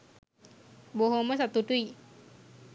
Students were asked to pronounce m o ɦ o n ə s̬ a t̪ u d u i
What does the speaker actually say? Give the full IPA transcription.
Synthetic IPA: b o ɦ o m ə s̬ a t̪ u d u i